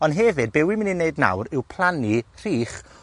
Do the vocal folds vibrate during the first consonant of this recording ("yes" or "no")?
yes